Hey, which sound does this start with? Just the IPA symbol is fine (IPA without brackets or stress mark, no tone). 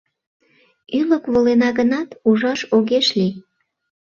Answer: y